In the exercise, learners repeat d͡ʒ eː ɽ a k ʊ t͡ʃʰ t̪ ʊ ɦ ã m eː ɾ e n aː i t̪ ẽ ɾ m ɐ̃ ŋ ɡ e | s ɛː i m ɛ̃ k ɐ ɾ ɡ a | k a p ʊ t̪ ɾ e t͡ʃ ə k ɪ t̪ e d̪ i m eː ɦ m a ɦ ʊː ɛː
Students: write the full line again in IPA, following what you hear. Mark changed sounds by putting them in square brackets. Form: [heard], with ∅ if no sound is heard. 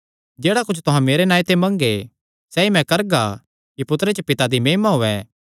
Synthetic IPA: d͡ʒ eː ɽ a k ʊ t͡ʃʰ t̪ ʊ ɦ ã m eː ɾ e n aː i t̪ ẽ [∅] m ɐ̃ ŋ ɡ e | s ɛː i m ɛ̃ k ɐ ɾ ɡ a | k [i] p ʊ t̪ ɾ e t͡ʃ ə [p] ɪ t̪ [a] d̪ i m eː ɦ m a ɦ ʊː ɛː